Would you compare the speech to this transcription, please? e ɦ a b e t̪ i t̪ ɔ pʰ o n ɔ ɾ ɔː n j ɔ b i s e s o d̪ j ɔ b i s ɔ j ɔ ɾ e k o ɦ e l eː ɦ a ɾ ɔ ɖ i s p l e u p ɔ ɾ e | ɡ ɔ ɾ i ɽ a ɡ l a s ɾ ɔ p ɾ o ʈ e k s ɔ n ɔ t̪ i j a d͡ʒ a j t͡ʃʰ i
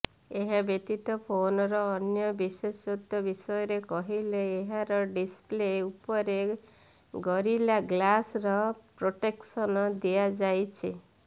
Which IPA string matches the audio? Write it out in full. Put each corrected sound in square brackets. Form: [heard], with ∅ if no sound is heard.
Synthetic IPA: e ɦ a b e t̪ i t̪ ɔ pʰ o n ɔ ɾ ɔː n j ɔ b i s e s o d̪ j ɔ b i s ɔ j ɔ ɾ e k [ɔ] ɦ [i] l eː ɦ a ɾ ɔ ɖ i s p l e u p ɔ ɾ e | ɡ ɔ ɾ i [l] a ɡ l a s ɾ ɔ p ɾ o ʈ e k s ɔ n ɔ [d̪] i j a d͡ʒ a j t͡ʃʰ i